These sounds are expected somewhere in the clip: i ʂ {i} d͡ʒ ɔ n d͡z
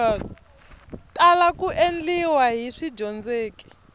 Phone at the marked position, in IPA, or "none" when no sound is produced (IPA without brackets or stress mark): i